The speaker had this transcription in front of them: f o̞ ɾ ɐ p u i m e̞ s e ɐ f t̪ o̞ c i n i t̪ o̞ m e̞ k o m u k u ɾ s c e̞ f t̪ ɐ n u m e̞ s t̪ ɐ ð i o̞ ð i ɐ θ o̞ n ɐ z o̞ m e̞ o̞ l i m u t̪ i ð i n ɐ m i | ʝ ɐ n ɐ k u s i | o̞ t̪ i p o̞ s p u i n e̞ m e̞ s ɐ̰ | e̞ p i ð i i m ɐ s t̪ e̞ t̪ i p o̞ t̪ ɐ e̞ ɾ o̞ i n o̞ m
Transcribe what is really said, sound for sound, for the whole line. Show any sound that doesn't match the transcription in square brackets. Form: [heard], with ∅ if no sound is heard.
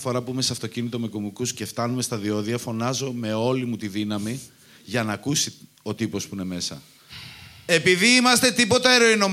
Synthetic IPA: f o̞ ɾ ɐ p u i m e̞ s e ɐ f t̪ o̞ c i n i t̪ o̞ m e̞ k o m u k u [∅] s c e̞ f t̪ ɐ n u m e̞ s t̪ ɐ ð i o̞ ð i ɐ [f] o̞ n ɐ z o̞ m e̞ o̞ l i m u t̪ i ð i n ɐ m i | ʝ ɐ n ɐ k u s i | o̞ t̪ i p o̞ s p u i n e̞ m e̞ s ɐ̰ | e̞ p i ð i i m ɐ s t̪ e̞ t̪ i p o̞ t̪ ɐ e̞ ɾ o̞ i n o̞ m